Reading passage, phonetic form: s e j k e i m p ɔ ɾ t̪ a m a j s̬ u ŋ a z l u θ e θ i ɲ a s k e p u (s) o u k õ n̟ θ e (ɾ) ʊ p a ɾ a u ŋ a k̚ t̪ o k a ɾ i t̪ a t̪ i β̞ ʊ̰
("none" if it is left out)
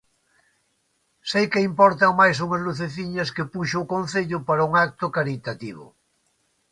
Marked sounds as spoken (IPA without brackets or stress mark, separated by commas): ʃ, ʎ